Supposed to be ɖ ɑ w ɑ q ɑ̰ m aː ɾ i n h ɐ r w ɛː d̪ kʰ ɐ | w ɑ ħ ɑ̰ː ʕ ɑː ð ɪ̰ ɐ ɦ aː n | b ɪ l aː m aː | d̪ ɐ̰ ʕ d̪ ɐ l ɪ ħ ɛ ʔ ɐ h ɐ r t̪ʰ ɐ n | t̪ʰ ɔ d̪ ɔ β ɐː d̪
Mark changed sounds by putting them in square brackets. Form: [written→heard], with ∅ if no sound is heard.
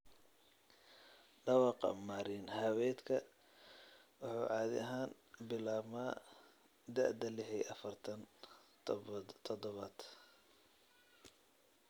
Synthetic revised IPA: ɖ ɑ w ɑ q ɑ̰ m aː ɾ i n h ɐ [r→∅] w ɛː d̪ kʰ ɐ | w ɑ ħ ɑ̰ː ʕ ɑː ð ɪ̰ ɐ ɦ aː n | b ɪ l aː m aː | d̪ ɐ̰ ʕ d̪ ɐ l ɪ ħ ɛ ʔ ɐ [h→f] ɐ r t̪ʰ ɐ n | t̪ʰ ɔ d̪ ɔ β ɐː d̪

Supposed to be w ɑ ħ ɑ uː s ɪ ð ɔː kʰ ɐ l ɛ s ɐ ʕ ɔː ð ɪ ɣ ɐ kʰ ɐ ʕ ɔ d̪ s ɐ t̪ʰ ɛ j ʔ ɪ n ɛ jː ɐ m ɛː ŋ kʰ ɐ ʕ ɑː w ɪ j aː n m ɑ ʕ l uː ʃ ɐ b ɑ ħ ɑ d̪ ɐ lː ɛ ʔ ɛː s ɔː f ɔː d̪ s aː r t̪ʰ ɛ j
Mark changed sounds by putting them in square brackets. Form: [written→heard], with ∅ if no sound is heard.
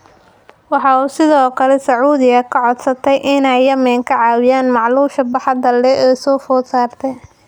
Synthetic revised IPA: w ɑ ħ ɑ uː s ɪ ð ɔː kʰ ɐ l ɛ s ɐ ʕ [ɔː→uː] ð ɪ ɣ ɐ kʰ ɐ ʕ ɔ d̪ s ɐ t̪ʰ ɛ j ʔ ɪ n ɛ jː ɐ m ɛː ŋ kʰ ɐ ʕ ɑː w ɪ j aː n m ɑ ʕ l uː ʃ ɐ b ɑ ħ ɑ d̪ ɐ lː ɛ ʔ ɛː s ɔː f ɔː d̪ s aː r t̪ʰ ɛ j

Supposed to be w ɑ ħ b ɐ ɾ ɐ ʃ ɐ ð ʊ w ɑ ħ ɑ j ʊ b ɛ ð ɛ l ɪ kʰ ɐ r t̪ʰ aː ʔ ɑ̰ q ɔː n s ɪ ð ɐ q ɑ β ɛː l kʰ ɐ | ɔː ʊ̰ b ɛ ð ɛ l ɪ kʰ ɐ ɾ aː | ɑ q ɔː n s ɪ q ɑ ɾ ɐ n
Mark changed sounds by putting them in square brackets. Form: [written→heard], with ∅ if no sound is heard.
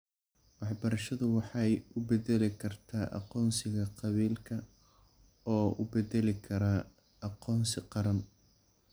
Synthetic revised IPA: w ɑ ħ b ɐ ɾ ɐ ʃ ɐ ð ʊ w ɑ ħ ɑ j ʊ b ɛ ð ɛ l ɪ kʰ ɐ r t̪ʰ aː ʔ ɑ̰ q ɔː n s ɪ [ð→ɣ] ɐ q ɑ β [ɛː→iː] l kʰ ɐ | ɔː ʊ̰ b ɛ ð ɛ l ɪ kʰ ɐ ɾ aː | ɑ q ɔː n s ɪ q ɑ ɾ ɐ n

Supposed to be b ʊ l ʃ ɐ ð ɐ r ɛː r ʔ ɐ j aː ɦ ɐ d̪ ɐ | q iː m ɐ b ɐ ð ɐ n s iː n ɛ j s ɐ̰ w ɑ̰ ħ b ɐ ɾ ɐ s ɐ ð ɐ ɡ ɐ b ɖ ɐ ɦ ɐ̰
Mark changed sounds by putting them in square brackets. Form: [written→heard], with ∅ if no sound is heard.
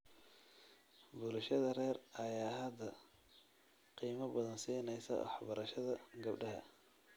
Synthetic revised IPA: b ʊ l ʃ ɐ ð ɐ r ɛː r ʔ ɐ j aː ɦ ɐ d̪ ɐ | q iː m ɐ b ɐ ð ɐ n s iː n ɛ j s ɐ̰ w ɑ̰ ħ b ɐ ɾ ɐ [s→ʃ] ɐ ð ɐ ɡ ɐ b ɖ ɐ ɦ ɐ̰

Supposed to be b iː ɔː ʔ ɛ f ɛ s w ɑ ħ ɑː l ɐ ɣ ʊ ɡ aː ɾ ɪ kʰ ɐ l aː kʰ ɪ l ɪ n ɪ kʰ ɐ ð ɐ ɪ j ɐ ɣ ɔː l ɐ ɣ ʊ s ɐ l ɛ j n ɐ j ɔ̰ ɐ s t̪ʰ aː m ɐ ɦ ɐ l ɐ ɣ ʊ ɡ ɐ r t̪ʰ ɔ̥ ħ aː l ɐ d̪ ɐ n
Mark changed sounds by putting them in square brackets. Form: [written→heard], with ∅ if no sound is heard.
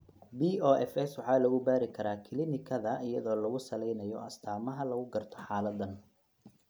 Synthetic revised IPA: b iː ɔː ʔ ɛ f ɛ s w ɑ ħ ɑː l ɐ ɣ ʊ [ɡ→b] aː ɾ ɪ kʰ ɐ [l→ɾ] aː kʰ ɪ l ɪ n ɪ kʰ ɐ ð ɐ ɪ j ɐ [ɣ→ð] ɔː l ɐ ɣ ʊ s ɐ l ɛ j n ɐ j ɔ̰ ɐ s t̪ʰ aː m ɐ ɦ ɐ l ɐ ɣ ʊ ɡ ɐ r t̪ʰ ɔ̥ ħ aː l ɐ d̪ ɐ n

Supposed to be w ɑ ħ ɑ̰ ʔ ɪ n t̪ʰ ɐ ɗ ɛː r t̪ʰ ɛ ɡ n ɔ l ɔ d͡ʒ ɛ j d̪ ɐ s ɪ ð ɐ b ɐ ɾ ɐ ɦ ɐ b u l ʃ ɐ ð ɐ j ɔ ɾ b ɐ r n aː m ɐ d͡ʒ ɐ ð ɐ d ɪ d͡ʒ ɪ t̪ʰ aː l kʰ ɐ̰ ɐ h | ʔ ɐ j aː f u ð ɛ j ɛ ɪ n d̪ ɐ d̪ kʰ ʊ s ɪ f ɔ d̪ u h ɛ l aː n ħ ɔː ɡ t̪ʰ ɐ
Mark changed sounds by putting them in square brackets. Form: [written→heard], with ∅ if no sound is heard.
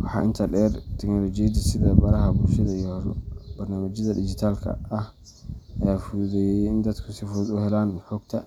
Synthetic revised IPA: w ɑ ħ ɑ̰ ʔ ɪ n t̪ʰ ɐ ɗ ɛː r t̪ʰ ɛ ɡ n ɔ l ɔ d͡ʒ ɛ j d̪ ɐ s ɪ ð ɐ b ɐ ɾ ɐ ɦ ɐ b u l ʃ ɐ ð ɐ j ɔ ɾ b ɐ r n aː m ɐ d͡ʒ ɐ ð ɐ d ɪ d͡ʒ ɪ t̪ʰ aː l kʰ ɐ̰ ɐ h | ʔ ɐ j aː f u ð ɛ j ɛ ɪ n d̪ ɐ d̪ kʰ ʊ s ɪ f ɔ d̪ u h ɛ l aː n ħ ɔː ɡ t̪ʰ ɐ

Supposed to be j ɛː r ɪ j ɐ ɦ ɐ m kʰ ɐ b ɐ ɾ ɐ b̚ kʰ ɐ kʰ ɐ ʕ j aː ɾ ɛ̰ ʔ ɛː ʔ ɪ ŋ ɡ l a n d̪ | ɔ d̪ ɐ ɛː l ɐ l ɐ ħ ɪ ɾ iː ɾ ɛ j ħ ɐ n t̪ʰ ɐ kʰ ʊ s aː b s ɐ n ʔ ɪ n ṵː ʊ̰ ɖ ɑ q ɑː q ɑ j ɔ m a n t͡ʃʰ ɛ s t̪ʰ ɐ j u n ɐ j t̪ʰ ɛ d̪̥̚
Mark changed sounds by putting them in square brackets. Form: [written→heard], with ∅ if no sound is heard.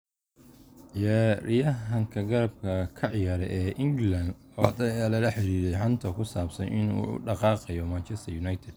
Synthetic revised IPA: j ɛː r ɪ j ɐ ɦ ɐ [m→ŋ] kʰ ɐ [b→ɡ] ɐ ɾ ɐ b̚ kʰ ɐ kʰ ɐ ʕ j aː ɾ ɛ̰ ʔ ɛː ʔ ɪ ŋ ɡ l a n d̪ | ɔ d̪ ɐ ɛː l ɐ l ɐ ħ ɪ ɾ iː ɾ ɛ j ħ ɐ n t̪ʰ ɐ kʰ ʊ s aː b s ɐ n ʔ ɪ n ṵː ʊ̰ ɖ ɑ q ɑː q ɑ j ɔ m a n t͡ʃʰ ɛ s t̪ʰ ɐ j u n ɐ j t̪ʰ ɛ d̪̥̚

